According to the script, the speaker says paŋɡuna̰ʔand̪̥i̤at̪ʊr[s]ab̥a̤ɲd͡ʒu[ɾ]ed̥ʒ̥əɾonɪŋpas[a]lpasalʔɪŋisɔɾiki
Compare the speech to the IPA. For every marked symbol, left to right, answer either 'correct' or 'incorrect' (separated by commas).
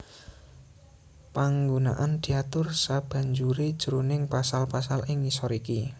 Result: correct, correct, correct